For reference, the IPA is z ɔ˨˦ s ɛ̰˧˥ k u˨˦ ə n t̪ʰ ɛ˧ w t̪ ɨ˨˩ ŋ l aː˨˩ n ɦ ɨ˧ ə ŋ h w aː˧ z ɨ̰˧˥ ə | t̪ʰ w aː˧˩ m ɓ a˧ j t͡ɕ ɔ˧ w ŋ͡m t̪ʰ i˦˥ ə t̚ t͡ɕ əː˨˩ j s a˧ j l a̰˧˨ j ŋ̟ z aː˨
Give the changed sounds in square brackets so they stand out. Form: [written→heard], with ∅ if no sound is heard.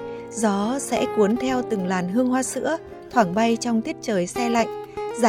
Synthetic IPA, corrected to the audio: z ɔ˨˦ s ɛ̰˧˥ k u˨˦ ə n t̪ʰ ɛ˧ w t̪ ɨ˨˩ ŋ l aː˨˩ n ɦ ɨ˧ ə ŋ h w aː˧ [z→s] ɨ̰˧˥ ə | t̪ʰ w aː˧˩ [m→ŋ] ɓ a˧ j t͡ɕ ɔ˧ w ŋ͡m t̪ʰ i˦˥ ə t̚ t͡ɕ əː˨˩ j s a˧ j l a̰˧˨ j ŋ̟ z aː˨